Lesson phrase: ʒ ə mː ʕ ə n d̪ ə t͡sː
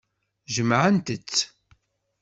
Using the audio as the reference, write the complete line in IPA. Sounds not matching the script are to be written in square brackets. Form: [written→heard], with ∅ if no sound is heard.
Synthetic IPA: ʒ ə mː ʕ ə n [d̪→t̪] ə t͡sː